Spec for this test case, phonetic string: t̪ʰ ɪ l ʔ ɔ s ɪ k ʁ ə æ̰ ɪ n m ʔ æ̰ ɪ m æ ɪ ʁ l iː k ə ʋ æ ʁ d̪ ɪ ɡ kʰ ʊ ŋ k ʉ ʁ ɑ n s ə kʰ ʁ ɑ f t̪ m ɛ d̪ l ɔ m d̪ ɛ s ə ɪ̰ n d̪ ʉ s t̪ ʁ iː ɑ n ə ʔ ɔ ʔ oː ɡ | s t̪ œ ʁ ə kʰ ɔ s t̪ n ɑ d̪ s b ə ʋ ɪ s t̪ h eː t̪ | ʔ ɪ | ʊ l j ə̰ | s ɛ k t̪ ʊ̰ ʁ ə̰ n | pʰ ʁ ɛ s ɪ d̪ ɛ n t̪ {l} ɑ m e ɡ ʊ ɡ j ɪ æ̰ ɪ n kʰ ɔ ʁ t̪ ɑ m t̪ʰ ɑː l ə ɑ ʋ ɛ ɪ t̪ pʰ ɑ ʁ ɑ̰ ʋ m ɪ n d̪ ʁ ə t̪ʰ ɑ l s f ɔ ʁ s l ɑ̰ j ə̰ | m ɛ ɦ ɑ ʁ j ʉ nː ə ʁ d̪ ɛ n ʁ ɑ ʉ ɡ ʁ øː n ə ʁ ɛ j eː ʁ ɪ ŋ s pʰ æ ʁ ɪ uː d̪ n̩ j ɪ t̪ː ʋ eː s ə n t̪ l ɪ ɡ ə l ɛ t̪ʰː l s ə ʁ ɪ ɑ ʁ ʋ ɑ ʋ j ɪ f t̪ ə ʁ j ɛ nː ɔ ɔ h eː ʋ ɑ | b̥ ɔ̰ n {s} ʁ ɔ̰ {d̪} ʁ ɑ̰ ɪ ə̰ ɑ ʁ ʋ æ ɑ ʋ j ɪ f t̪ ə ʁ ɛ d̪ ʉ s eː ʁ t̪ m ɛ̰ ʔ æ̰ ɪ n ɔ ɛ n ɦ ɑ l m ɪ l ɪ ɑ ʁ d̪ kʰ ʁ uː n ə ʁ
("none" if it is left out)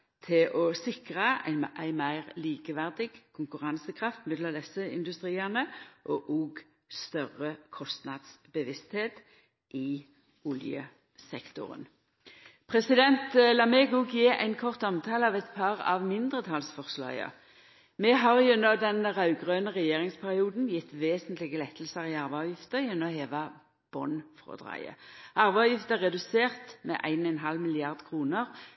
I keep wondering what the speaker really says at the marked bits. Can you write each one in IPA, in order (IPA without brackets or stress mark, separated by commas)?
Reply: l, f, d̪